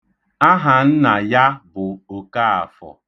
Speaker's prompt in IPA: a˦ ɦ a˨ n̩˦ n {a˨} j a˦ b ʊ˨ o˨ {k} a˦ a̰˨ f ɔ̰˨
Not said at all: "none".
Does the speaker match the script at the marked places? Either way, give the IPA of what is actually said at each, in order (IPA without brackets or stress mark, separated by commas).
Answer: a˨, k